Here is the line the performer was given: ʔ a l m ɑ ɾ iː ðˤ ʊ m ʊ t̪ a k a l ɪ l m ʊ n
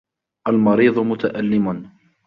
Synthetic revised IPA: ʔ a l m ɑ ɾ iː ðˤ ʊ m ʊ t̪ a ʔ a lː ɪ m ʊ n